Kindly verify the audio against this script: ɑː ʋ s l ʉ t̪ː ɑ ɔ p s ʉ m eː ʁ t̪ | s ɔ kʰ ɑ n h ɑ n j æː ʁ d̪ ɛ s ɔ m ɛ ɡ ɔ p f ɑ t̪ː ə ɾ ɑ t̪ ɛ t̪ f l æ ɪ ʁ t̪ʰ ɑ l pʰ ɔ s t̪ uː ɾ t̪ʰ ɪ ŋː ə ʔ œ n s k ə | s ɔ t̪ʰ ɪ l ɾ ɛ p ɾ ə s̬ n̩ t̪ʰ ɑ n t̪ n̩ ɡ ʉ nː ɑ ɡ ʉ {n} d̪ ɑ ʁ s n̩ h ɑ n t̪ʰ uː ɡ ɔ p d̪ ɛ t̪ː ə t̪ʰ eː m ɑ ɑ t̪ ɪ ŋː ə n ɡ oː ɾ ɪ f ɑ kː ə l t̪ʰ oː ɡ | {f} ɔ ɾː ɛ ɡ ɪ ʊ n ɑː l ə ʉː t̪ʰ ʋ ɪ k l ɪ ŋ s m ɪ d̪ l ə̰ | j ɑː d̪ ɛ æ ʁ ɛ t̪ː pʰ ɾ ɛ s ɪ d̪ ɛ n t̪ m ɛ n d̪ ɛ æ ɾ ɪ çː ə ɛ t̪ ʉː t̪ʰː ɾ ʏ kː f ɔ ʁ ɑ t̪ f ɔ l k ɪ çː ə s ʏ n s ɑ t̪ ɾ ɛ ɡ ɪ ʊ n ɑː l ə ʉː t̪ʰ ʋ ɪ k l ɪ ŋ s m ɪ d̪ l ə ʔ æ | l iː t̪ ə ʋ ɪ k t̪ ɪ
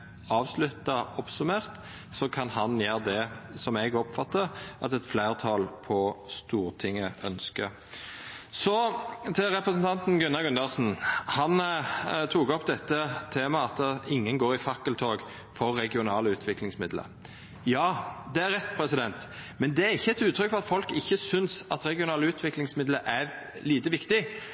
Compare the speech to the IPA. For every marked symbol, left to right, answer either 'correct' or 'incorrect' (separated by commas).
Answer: correct, correct